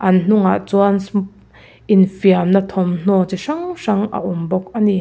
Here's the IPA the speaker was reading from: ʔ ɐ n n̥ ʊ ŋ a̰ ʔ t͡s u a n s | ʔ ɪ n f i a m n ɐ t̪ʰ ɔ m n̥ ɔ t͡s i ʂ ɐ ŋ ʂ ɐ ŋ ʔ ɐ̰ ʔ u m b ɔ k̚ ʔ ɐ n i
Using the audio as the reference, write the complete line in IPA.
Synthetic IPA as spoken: ʔ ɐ n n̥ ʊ ŋ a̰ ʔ t͡s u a n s | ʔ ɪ n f i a m n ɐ t̪ʰ ɔ m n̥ ɔ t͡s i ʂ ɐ ŋ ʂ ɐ ŋ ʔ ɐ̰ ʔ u m b ɔ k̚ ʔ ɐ n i

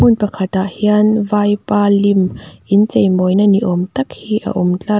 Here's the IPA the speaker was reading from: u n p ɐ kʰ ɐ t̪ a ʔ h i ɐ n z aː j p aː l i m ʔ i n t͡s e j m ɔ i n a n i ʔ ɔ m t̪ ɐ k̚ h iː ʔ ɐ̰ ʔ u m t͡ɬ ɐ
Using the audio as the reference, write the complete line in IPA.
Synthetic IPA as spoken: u n p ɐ kʰ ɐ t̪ a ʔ h i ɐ n v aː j p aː l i m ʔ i n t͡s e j m ɔ j n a n i ʔ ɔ m t̪ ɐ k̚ h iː ʔ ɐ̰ ʔ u m t͡ɬ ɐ

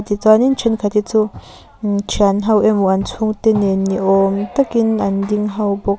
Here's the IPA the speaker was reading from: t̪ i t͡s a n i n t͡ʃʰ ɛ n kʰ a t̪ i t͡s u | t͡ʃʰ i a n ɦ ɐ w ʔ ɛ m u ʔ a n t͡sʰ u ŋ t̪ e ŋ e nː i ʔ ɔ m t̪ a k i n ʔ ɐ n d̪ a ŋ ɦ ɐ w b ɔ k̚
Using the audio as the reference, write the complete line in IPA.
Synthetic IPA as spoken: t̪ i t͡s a n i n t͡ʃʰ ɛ n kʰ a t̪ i t͡s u | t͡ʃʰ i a n ɦ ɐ w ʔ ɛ m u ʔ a n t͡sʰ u ŋ t̪ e n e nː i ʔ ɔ m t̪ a k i n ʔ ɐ n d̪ i ŋ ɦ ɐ w b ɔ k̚

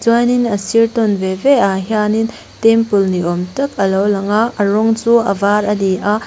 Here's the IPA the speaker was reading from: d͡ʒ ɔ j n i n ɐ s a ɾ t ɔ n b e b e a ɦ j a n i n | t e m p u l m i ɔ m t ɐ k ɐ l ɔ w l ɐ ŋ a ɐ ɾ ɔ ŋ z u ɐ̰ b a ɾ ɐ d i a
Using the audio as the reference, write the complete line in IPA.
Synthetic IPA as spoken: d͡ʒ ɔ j n i n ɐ s i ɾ t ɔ n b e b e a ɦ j a n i n | t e m p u l n i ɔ m t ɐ k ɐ l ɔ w l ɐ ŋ a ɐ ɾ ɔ ŋ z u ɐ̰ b a ɾ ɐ d i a

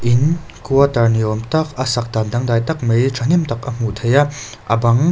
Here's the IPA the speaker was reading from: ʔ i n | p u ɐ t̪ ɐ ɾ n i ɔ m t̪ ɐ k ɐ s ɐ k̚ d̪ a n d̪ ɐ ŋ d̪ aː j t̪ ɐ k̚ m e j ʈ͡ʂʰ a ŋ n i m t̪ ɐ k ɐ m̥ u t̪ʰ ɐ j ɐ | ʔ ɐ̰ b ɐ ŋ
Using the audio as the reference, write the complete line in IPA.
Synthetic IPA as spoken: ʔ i n | k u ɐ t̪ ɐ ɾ n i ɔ m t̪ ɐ k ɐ s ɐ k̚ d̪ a n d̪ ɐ ŋ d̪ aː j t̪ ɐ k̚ m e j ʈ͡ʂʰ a n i m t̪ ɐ k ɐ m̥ u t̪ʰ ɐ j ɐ | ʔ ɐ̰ b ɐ ŋ

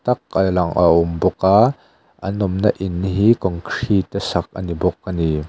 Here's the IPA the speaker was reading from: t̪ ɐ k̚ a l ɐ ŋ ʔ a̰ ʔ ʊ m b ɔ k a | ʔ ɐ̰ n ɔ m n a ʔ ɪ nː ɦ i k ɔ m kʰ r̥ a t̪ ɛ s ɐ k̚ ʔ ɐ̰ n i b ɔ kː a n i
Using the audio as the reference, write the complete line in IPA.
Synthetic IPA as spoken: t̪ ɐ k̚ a l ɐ ŋ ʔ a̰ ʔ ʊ m b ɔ k a | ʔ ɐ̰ n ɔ m n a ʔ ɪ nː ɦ i k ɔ ŋ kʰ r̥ i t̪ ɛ s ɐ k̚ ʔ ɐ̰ n i b ɔ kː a n i

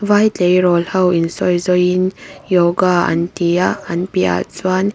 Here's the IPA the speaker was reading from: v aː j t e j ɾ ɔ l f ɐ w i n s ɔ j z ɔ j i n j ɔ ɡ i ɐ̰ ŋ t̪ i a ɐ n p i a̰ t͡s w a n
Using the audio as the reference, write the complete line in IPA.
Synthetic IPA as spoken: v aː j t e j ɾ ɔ l h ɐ w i n s ɔ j z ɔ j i n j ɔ ɡ a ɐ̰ n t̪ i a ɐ n p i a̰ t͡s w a n

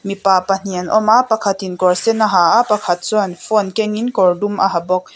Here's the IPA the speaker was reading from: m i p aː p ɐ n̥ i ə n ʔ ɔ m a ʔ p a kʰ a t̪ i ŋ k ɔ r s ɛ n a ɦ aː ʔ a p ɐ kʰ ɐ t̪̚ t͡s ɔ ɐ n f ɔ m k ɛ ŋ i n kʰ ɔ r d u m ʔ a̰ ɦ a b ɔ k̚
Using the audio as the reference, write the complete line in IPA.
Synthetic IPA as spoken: m i p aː p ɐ n̥ i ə n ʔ ɔ m a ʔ p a kʰ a t̪ i n k ɔ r s ɛ n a ɦ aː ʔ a p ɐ kʰ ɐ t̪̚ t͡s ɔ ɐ n f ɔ n k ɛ ŋ i n k ɔ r d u m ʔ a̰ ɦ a b ɔ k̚

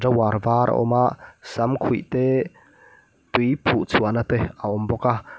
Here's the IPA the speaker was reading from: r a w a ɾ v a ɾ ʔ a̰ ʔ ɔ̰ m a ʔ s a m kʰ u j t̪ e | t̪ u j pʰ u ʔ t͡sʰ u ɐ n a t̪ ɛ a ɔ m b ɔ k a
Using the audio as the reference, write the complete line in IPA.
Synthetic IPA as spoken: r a w a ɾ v a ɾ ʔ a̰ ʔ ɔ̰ m a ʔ s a m kʰ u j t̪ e | t̪ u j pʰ u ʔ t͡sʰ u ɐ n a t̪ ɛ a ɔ m b ɔ k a

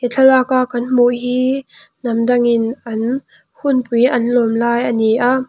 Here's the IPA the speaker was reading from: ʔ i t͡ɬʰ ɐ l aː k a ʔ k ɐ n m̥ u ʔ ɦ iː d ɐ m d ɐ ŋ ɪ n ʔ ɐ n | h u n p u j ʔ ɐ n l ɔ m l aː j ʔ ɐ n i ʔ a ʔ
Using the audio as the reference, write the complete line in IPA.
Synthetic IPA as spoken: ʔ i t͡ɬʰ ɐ l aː k a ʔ k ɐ n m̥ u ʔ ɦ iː n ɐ m d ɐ ŋ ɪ n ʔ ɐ n | h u n p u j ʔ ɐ n l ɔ m l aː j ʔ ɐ n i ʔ a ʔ

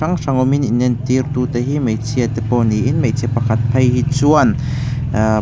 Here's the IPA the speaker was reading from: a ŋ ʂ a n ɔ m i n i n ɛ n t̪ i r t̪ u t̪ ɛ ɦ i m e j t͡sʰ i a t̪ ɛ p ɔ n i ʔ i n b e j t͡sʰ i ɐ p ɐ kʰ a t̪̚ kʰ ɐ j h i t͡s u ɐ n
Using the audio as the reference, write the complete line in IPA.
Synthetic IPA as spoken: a ŋ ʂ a ŋ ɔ m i n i n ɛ n t̪ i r t̪ u t̪ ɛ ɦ i m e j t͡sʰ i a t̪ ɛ p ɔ n i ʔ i n m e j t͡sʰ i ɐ p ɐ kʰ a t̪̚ pʰ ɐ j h i t͡s u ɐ n

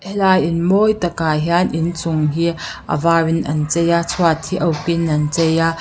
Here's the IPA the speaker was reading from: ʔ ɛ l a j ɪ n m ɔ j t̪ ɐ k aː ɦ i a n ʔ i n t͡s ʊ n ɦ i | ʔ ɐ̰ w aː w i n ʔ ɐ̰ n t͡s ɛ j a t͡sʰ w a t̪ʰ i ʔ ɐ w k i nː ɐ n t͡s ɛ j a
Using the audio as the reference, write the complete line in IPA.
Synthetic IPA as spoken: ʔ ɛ l a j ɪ n m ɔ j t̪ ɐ k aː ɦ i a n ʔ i n t͡s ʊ ŋ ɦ i | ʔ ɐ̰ v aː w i n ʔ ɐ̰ n t͡s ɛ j a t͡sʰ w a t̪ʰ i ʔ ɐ w k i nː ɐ n t͡s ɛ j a

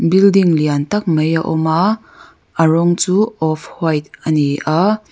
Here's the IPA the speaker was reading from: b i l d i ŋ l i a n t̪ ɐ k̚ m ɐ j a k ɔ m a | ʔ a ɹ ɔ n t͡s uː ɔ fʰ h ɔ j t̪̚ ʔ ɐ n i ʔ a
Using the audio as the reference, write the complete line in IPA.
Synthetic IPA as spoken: b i l d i ŋ l i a n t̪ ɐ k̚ m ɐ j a ʔ ɔ m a | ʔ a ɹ ɔ ŋ t͡s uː ɔ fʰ h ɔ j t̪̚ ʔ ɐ n i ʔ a

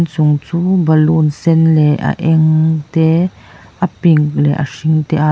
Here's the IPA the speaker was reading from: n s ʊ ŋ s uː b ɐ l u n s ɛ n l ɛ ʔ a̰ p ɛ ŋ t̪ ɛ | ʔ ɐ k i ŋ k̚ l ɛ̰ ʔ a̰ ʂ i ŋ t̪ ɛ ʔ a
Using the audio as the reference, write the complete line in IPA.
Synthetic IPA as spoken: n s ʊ ŋ t͡s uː b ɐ l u n s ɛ n l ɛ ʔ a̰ ʔ ɛ ŋ t̪ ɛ | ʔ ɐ p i ŋ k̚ l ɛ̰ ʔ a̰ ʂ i ŋ t̪ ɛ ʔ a

